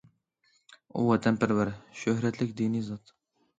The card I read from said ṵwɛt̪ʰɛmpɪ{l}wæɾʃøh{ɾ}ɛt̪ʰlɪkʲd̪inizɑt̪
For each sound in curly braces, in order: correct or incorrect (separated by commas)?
incorrect, correct